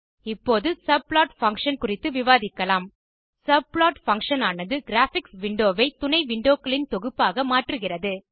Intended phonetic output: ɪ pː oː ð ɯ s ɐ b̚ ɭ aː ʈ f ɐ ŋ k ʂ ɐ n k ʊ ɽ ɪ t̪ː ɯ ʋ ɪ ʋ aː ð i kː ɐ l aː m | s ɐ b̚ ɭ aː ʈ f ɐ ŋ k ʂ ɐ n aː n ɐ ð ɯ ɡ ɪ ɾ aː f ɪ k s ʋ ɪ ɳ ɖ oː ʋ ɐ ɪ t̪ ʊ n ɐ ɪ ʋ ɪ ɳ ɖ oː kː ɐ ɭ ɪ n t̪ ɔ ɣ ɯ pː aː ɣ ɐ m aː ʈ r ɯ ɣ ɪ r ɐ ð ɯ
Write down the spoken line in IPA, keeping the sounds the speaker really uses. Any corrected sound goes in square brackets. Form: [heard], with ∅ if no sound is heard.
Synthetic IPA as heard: ɪ pː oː ð ɯ s ɐ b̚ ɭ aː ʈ f ɐ ŋ k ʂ ɐ n k ʊ [r] ɪ t̪ː ɯ ʋ ɪ ʋ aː ð [ɪ] kː ɐ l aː m | s ɐ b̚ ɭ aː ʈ f ɐ ŋ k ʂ ɐ n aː n ɐ ð ɯ ɡ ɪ ɾ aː f ɪ k s ʋ ɪ ɳ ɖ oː ʋ ɐ ɪ t̪ ʊ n ɐ ɪ ʋ ɪ ɳ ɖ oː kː ɐ ɭ ɪ n t̪ ɔ ɣ ɯ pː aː ɣ ɐ m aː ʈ r ɯ ɣ ɪ r ɐ ð ɯ